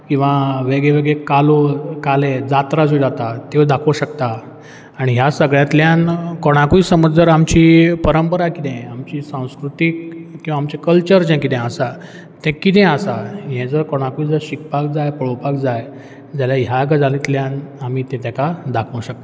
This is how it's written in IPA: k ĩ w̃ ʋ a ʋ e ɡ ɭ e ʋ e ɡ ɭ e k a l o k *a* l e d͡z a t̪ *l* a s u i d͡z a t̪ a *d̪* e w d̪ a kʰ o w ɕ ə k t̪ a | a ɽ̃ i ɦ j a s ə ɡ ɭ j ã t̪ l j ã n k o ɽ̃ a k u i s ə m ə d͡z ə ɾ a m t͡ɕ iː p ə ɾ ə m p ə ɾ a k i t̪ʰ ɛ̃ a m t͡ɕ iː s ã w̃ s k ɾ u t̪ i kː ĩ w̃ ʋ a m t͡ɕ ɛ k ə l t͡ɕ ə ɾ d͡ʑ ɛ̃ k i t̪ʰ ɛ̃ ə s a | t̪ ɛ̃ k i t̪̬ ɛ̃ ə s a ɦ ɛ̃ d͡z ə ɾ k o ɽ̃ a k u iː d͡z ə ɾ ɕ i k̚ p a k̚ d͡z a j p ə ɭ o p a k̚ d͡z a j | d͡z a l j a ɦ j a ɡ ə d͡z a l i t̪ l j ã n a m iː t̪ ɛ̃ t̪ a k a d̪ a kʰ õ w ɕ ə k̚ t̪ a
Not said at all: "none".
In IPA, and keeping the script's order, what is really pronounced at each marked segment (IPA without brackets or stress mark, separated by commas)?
a, ɾ, t̪